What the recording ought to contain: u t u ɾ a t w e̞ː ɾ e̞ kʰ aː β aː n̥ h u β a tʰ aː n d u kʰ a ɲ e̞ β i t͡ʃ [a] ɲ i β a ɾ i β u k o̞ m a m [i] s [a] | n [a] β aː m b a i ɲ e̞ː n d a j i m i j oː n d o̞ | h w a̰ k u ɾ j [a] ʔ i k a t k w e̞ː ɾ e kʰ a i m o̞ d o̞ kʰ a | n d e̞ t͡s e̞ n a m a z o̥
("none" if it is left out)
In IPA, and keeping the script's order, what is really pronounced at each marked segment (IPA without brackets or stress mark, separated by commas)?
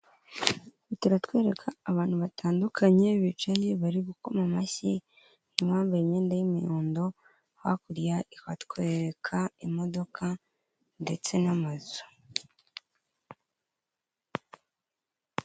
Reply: a, a, i, i, a